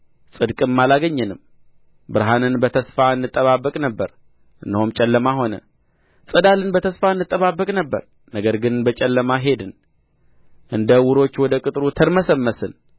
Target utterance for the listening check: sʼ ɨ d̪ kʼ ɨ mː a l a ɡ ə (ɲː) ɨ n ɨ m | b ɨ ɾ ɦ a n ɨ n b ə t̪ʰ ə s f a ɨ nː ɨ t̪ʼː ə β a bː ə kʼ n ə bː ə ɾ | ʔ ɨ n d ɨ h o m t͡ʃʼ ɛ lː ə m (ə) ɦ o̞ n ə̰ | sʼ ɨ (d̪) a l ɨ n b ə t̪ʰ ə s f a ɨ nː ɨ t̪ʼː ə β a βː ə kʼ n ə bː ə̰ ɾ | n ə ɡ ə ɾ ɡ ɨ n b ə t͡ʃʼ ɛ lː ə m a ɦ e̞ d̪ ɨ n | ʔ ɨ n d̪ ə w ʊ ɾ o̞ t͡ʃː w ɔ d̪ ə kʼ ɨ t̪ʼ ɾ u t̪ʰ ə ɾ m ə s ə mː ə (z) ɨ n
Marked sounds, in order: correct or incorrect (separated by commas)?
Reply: correct, incorrect, correct, incorrect